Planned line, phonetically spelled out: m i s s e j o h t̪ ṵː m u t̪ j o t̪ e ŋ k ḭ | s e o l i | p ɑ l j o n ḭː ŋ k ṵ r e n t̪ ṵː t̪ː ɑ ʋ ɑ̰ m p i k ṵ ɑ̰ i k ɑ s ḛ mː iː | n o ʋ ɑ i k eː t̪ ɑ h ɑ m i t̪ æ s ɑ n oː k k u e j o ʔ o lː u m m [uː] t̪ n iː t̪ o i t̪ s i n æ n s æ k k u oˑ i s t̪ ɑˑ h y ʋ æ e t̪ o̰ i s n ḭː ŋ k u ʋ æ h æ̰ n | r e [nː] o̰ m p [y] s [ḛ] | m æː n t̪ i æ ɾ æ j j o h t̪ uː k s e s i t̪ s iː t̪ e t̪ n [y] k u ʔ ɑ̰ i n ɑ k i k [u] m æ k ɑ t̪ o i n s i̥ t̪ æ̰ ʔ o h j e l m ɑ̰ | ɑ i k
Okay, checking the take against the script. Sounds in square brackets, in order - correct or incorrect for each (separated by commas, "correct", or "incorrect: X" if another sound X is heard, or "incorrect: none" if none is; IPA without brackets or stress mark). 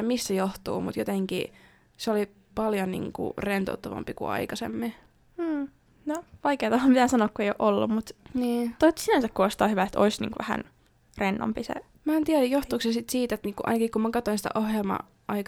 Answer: incorrect: u, correct, incorrect: i, correct, incorrect: i, correct